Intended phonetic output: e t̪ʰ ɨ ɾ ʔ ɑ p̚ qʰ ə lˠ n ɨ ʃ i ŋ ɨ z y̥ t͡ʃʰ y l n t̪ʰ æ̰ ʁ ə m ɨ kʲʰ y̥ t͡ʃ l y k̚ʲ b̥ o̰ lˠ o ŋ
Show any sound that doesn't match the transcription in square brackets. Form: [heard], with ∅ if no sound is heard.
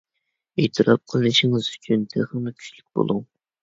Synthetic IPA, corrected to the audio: e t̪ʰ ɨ ɾ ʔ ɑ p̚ qʰ ə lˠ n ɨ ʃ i ŋ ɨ z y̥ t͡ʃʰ y [∅] n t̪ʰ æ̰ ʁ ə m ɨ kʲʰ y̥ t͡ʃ l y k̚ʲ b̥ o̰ lˠ [u] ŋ